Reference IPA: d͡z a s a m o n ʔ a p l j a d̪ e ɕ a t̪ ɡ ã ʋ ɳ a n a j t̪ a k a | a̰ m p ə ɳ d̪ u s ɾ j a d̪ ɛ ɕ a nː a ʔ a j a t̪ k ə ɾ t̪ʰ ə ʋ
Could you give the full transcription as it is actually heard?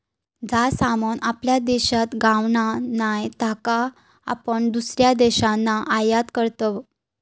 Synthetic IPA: d͡z a s a m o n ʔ a p l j a d̪ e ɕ a t̪ ɡ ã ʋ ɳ a n a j t̪ a k a | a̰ p ə ɳ d̪ u s ɾ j a d̪ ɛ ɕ a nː a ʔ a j a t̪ k ə ɾ t̪ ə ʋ

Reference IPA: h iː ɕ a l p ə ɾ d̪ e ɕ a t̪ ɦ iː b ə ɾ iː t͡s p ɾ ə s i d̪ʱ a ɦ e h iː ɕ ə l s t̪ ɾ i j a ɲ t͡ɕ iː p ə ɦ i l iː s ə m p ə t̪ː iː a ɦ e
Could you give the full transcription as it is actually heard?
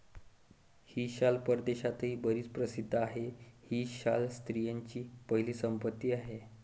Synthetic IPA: h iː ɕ a l p ə ɾ d̪ e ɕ a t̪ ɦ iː b ə ɾ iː t͡s p ɾ ə s i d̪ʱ a ɦ e h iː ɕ a l s t̪ ɾ i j a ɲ t͡ɕ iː p ə ɦ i l iː s ə m p ə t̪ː iː a ɦ e

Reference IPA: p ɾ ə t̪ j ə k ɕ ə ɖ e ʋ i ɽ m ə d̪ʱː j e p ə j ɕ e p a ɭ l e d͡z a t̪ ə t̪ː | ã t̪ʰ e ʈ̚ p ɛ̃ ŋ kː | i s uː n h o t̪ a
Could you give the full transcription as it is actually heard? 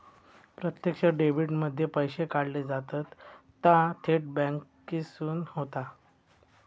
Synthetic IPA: p ɾ ə t̪ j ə k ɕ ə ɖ e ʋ i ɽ m ə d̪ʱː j e p ə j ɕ e k a ɽ l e d͡z a t̪ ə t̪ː | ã t̪ʰ e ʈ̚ b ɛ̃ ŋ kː | i s uː n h o t̪ a

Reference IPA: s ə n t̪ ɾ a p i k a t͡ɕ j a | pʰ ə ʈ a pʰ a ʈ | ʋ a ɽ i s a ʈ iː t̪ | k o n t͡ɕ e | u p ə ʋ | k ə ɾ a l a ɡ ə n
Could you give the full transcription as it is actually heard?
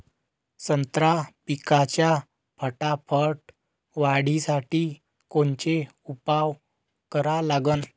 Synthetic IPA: s ə n t̪ ɾ a p i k a t͡ɕ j a | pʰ ə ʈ a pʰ ə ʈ | ʋ a ɽ i s a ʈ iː | k o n t͡ɕ e | u p a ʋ | k ə ɾ a l a ɡ ə n

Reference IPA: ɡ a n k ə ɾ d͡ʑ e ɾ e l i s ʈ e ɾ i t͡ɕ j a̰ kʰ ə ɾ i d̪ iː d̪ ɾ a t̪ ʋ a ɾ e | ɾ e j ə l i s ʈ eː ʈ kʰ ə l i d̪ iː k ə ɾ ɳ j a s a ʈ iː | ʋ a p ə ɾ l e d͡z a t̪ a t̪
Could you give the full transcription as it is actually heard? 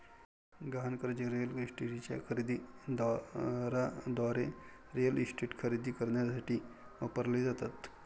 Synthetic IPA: ɡ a n k ə ɾ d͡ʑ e ɾ e l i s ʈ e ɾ i t͡ɕ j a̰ kʰ ə ɾ i d̪ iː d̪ ɾ a d̪ ʋ a ɾ e | ɾ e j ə l i s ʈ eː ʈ kʰ ə ɾ i d̪ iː k ə ɾ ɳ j a s a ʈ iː | ʋ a p ə ɾ l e d͡z a t̪ a t̪

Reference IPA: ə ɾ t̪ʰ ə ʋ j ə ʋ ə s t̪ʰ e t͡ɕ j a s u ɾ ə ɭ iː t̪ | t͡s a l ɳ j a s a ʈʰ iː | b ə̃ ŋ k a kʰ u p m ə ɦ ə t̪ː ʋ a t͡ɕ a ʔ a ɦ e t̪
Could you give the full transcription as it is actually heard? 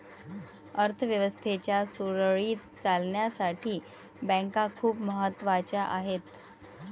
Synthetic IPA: ə ɾ t̪ʰ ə ʋ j ə ʋ ə s t̪ʰ e t͡ɕ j a s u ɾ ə ɭ iː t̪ | t͡s a l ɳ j a s a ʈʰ iː | b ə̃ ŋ k a kʰ uː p m ə ɦ ə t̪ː ʋ a t͡ɕ a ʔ a ɦ e t̪

